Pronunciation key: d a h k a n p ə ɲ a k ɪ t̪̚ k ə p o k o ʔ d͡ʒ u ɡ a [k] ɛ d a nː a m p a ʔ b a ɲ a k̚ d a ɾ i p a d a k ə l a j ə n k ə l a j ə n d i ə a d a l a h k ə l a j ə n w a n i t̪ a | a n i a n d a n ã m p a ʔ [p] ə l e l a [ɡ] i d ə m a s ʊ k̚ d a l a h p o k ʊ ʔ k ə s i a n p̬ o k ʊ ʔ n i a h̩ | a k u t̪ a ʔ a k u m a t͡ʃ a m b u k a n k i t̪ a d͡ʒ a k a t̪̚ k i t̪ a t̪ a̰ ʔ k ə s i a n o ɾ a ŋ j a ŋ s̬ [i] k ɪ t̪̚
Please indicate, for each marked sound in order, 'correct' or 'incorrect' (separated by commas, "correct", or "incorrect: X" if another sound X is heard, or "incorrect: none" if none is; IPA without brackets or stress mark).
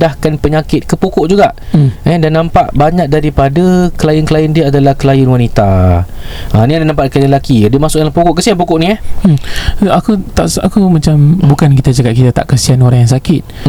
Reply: incorrect: ʔ, incorrect: k, incorrect: k, incorrect: a